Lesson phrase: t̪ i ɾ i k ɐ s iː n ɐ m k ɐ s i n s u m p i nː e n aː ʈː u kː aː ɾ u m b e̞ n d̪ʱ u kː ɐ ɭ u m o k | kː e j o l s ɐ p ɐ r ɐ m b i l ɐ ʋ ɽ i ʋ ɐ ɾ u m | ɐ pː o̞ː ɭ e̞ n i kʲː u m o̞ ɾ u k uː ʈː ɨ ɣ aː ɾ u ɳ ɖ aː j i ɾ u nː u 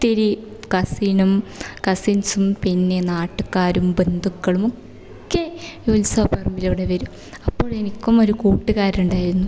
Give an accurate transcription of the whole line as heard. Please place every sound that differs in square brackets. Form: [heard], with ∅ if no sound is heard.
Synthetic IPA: t̪ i ɾ i k ɐ s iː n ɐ m k ɐ s i n s u m p i nː e n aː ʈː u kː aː ɾ u m b e̞ n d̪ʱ u kː ɐ ɭ u m o k | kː e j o l s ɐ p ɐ r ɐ m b i l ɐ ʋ ɽ [e] ʋ ɐ ɾ u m | ɐ pː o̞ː ɭ e̞ n i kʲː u m o̞ ɾ u k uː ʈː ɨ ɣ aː ɾ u ɳ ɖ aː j i ɾ u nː u